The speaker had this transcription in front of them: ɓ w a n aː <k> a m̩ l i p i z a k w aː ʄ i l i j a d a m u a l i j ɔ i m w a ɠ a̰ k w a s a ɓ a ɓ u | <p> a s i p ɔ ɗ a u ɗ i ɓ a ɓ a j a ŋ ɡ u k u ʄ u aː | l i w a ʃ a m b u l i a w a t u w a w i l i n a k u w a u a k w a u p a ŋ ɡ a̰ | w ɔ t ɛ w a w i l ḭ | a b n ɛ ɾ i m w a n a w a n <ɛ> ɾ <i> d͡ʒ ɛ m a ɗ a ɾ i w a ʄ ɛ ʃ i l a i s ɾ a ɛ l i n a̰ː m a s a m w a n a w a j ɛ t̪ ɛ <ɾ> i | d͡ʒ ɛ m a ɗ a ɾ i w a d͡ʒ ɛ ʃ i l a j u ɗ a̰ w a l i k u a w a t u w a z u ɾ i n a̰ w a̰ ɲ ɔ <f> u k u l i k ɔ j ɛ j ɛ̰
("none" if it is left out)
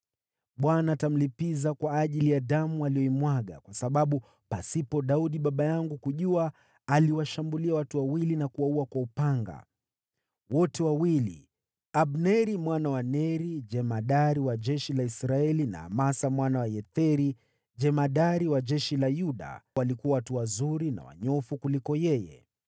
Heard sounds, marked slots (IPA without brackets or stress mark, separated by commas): t, p, ɛ, i, ɾ, f